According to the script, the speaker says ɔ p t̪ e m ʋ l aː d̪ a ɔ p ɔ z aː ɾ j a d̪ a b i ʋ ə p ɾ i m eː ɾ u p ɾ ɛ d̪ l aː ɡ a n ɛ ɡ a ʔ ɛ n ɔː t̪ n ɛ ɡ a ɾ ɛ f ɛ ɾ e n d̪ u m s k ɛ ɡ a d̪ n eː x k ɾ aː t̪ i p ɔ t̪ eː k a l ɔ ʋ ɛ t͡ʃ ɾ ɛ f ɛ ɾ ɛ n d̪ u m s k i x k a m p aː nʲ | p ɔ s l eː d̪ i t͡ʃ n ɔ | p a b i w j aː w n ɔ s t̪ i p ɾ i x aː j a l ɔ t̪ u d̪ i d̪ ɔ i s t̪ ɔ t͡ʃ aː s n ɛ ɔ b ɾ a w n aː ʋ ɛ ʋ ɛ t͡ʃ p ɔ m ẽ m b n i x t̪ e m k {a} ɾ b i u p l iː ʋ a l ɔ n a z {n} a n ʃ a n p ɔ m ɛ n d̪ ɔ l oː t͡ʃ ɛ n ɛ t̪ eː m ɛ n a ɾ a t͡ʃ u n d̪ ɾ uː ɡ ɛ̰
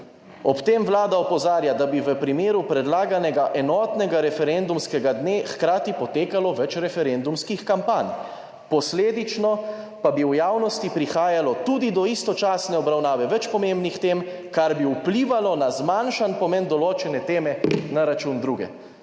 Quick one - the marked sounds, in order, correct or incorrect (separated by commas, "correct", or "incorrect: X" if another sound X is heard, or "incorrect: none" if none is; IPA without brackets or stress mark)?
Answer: correct, incorrect: m